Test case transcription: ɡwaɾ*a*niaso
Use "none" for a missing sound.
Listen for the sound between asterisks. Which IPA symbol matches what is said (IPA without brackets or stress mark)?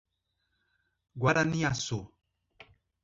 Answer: a